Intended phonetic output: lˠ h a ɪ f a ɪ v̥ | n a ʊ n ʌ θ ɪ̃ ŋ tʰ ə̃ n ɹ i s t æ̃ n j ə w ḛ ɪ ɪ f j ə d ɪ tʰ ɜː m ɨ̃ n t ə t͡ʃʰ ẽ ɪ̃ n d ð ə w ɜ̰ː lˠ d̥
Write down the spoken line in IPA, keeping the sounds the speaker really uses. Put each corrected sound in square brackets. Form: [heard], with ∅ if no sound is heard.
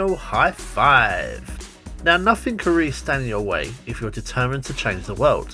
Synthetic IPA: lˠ h a ɪ f a ɪ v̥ | n a ʊ n ʌ θ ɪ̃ ŋ [kʰ] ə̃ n ɹ i s t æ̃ n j ə w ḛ ɪ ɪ f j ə d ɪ tʰ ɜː m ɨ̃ n [tʰ] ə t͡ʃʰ ẽ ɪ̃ n [d͡ʒ] ð ə w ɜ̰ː lˠ d̥